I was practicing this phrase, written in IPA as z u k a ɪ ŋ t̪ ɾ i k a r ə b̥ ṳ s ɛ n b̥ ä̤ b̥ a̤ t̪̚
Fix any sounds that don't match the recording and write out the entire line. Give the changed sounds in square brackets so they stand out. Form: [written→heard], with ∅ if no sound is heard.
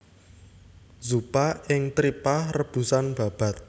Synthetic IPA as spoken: z u [k→p] a ɪ ŋ t̪ ɾ i [k→p] a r ə b̥ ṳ s [ɛ→a] n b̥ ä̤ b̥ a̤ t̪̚